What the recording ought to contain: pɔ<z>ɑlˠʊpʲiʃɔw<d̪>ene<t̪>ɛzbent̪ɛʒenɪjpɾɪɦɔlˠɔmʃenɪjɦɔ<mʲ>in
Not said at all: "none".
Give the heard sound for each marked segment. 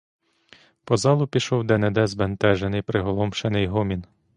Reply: z, d̪, d̪, mʲ

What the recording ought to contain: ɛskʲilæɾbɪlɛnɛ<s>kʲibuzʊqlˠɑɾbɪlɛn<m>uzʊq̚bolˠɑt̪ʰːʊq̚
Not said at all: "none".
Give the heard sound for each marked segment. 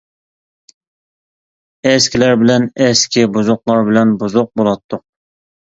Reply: s, b

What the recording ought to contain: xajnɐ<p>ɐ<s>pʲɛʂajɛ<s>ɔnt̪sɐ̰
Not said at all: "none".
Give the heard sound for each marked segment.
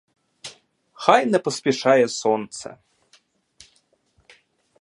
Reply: p, s, s

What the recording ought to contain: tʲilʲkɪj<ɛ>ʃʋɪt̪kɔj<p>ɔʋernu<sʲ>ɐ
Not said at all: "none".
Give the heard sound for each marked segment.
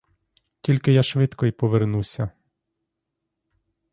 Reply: a, p, sʲ

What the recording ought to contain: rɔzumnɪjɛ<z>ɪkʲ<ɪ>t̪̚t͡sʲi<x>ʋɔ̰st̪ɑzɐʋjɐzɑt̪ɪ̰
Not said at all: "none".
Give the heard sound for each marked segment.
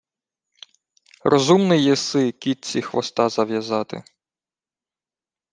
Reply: s, i, x

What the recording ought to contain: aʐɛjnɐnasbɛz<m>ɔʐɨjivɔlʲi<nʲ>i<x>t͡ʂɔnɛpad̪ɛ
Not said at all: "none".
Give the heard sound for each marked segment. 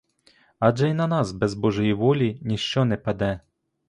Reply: b, nʲ, ʂ

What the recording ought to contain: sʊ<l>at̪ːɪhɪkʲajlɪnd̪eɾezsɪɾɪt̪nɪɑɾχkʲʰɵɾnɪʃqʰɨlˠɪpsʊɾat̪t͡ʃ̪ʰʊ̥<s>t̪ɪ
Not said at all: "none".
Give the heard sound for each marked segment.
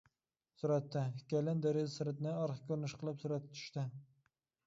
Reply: ɾ, ʃ

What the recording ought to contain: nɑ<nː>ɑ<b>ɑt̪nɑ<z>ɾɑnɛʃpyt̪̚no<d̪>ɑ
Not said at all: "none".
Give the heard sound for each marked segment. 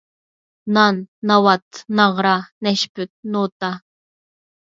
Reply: nː, w, ʁ, t̪

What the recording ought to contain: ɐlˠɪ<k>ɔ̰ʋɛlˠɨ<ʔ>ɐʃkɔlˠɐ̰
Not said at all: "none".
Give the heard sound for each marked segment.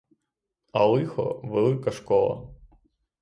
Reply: x, k

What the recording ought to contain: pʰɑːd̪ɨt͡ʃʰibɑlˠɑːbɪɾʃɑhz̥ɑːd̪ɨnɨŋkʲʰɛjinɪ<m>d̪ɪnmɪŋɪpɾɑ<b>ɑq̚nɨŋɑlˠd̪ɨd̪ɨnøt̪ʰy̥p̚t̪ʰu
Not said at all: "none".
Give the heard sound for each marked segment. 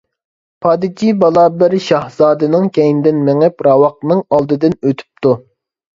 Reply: none, w

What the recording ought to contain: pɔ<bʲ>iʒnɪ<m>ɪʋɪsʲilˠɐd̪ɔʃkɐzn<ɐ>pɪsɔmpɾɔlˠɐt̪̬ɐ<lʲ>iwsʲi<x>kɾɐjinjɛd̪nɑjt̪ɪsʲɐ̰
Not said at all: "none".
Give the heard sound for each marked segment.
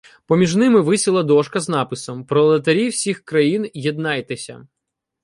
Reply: mʲ, m, ɑ, ɾʲ, x

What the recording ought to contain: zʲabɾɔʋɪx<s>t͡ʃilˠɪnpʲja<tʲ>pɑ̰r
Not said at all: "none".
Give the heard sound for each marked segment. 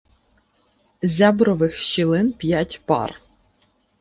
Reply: ʃ, tʲ

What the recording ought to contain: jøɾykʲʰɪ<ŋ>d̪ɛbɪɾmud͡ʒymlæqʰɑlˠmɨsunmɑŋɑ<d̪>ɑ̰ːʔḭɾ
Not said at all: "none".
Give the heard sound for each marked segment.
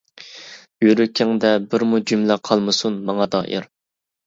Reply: ŋ, d̪

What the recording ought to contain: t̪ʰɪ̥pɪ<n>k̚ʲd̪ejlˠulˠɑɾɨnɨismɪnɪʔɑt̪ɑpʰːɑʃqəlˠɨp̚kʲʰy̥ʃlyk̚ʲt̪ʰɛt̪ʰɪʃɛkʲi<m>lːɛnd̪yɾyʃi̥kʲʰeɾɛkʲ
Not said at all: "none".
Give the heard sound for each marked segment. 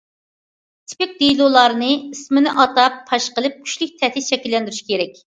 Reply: none, none

